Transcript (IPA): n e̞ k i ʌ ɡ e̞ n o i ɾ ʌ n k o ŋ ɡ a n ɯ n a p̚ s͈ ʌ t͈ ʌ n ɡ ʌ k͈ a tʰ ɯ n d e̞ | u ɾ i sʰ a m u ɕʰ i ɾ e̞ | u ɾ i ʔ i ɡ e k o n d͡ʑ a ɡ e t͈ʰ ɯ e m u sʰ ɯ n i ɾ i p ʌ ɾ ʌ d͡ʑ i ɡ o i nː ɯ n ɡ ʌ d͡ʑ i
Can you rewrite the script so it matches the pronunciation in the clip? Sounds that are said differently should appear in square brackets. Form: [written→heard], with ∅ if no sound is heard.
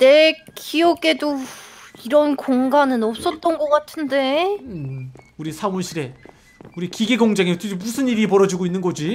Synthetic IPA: n e̞ k i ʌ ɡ e̞ [n→d] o i ɾ ʌ n k o ŋ ɡ a n ɯ n [a→ʌ] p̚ s͈ ʌ t͈ ʌ n ɡ ʌ k͈ a tʰ ɯ n d e̞ | u ɾ i sʰ a m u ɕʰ i ɾ e̞ | u ɾ i [ʔ→k] i ɡ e [k→ɡ] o [n→ŋ] d͡ʑ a [ɡ→ŋ] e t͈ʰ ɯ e m u sʰ ɯ n i ɾ i p ʌ ɾ ʌ d͡ʑ i ɡ o i nː ɯ n ɡ ʌ d͡ʑ i